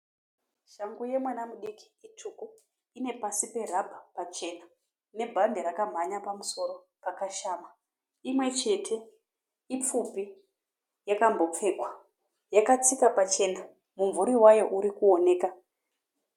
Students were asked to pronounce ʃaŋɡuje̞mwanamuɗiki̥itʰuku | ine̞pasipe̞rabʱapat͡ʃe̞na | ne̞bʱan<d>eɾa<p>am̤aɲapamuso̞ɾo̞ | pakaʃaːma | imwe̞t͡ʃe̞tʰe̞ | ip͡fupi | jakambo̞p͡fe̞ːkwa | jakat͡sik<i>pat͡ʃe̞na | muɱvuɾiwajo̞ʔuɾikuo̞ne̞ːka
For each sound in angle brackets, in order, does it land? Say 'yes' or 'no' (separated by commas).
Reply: yes, no, no